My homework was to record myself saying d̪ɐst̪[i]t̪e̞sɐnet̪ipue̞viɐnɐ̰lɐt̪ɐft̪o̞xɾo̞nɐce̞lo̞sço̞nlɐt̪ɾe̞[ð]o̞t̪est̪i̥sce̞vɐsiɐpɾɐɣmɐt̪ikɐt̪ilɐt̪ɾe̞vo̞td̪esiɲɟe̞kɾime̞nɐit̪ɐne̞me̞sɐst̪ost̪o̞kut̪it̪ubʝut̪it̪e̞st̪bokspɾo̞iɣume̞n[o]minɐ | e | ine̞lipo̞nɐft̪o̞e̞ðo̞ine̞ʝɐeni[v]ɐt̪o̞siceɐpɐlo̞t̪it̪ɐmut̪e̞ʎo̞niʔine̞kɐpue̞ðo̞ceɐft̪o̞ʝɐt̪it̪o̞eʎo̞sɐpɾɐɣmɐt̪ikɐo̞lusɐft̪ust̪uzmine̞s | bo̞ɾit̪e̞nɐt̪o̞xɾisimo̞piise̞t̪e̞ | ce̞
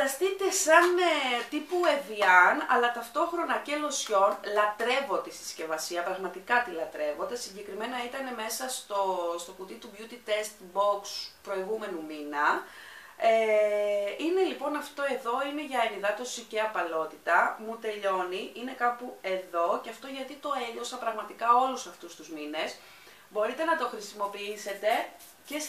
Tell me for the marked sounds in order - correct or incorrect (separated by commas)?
correct, incorrect, incorrect, incorrect